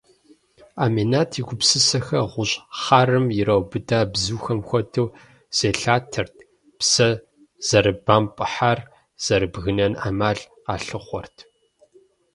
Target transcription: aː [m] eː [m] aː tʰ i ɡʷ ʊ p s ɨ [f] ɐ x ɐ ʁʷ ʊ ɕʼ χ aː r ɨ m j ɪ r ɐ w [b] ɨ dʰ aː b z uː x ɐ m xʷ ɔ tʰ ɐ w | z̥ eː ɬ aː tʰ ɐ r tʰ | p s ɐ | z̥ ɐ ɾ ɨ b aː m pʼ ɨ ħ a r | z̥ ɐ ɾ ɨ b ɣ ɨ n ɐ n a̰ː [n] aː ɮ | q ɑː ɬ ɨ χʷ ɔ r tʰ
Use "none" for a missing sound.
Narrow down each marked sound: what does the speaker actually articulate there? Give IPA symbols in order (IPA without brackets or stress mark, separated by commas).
m, n, s, b, m